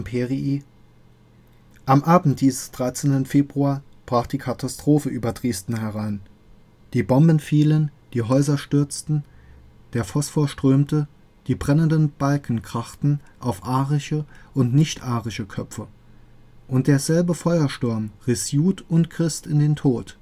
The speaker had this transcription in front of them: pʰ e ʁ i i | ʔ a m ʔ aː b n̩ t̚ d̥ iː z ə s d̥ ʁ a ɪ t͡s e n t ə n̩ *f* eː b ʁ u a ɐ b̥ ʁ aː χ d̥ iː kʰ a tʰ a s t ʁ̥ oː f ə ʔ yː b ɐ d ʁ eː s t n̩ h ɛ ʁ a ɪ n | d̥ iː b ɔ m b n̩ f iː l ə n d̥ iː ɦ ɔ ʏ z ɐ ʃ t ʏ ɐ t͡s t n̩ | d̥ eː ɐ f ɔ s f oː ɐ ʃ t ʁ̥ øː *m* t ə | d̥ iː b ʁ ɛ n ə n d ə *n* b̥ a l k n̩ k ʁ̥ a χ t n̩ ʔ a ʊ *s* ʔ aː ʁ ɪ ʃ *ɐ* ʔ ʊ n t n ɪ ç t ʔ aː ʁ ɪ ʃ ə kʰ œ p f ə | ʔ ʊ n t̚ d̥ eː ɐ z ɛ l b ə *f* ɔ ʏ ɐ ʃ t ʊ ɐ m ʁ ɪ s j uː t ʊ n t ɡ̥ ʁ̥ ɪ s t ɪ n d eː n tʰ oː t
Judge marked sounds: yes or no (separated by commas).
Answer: yes, yes, yes, no, no, yes